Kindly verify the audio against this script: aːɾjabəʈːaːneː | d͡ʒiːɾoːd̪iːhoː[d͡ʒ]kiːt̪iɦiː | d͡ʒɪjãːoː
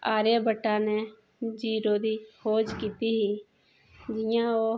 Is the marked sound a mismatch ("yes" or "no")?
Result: no